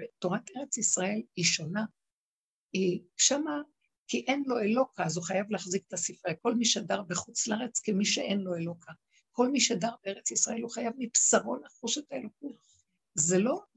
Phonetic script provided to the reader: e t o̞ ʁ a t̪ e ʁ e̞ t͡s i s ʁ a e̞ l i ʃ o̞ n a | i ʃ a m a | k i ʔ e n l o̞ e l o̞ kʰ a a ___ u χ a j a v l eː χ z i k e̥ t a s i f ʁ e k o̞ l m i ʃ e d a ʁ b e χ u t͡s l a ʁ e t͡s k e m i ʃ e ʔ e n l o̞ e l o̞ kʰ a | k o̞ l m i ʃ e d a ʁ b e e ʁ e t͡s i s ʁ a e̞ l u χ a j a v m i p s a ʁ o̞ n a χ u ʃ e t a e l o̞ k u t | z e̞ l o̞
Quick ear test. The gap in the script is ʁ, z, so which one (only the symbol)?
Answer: z